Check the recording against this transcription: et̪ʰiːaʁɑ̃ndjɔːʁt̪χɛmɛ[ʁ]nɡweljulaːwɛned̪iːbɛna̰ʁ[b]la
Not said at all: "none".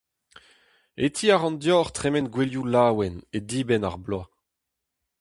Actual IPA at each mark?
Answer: none, b

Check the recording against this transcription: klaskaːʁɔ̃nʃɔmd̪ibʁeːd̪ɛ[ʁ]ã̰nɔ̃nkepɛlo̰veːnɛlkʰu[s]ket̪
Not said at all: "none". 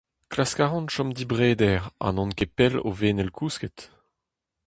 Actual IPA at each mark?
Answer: ʁ, s

